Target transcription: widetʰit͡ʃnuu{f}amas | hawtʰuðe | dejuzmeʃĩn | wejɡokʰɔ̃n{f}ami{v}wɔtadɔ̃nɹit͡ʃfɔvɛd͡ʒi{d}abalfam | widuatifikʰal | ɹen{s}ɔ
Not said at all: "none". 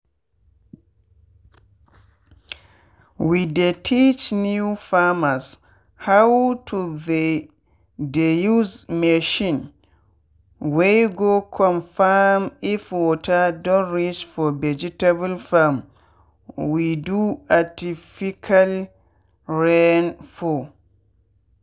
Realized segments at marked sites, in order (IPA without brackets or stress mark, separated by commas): f, f, f, t, f